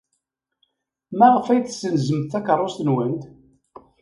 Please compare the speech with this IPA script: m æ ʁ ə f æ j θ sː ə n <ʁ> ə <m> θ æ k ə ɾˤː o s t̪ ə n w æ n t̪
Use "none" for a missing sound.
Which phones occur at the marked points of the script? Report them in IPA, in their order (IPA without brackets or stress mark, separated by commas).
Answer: z, m